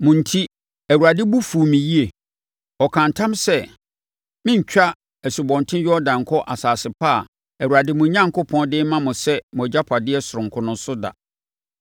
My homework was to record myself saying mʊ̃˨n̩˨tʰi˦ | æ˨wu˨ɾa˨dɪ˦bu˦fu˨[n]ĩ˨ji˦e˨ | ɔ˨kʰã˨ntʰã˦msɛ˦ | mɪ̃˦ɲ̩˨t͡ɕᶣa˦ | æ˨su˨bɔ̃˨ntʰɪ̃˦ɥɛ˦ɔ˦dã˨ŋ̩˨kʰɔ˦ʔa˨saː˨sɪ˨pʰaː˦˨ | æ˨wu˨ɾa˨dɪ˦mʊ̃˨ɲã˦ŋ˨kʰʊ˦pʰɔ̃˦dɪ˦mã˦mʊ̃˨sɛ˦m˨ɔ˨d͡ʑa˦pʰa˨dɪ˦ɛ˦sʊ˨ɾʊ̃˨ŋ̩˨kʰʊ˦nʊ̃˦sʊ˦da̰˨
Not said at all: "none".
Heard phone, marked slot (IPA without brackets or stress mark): m